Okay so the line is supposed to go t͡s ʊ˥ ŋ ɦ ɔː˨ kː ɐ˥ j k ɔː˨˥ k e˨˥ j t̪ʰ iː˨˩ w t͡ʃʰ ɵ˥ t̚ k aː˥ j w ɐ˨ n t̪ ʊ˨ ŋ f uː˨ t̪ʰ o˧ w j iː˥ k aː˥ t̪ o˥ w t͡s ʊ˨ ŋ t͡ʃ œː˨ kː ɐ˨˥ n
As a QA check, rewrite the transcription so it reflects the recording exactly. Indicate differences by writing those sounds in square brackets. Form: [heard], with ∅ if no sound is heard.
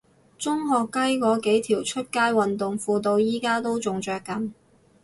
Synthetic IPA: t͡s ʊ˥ ŋ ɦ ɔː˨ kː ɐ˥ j k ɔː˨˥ k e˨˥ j t̪ʰ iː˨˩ w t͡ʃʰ ɵ˥ t̚ k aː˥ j w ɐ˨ n t̪ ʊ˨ ŋ f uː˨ [t̪] o˧ w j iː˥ k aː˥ t̪ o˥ w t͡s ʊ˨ ŋ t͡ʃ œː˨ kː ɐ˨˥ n

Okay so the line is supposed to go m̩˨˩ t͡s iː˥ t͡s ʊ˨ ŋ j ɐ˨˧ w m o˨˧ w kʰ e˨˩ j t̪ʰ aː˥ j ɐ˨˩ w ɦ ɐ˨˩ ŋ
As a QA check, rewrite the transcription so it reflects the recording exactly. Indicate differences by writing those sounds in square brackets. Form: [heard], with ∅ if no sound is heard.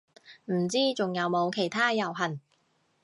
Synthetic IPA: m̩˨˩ t͡s iː˥ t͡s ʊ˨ ŋ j ɐ˨˧ w m o˨˧ w kʰ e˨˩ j t̪ʰ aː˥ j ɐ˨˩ w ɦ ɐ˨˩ [n]

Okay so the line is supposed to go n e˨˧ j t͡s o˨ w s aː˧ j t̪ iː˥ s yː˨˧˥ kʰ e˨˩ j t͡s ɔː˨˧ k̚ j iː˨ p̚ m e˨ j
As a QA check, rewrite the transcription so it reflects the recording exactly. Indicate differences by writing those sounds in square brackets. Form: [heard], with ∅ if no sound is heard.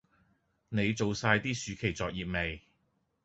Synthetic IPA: n e˨˧ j t͡s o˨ w s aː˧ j t̪ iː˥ s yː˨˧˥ kʰ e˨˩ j t͡s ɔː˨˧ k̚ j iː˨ p̚ m e˨ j

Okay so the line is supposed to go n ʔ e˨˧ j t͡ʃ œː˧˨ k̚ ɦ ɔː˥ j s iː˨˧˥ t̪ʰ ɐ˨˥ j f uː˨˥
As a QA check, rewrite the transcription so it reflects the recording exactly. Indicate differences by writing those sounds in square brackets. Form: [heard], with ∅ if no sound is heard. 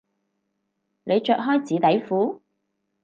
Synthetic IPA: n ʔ e˨˧ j t͡ʃ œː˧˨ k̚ ɦ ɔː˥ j [t͡s] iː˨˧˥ [t̪] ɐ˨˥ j f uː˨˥

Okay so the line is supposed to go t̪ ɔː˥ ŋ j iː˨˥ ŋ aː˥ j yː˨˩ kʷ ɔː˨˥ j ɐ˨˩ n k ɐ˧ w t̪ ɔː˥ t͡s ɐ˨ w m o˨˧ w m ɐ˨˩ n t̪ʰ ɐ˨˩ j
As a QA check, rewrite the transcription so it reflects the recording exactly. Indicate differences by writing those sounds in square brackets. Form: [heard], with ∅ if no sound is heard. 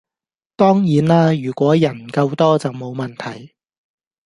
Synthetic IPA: t̪ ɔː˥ ŋ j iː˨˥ [n] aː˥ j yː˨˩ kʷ ɔː˨˥ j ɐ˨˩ n k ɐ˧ w t̪ ɔː˥ t͡s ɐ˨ w m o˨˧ w m ɐ˨˩ n t̪ʰ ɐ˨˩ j

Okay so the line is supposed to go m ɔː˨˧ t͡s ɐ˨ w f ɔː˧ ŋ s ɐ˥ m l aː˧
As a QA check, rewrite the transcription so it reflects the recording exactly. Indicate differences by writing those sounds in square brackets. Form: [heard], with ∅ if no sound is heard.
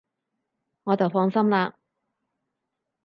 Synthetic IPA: [ŋ] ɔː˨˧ t͡s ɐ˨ w f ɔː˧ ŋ s ɐ˥ m l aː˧

